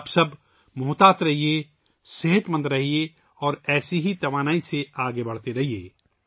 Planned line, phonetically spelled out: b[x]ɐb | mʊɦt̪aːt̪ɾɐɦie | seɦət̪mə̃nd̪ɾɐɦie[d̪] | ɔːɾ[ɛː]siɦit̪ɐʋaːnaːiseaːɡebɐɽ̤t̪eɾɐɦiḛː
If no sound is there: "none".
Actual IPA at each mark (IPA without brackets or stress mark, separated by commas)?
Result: s, none, ɛː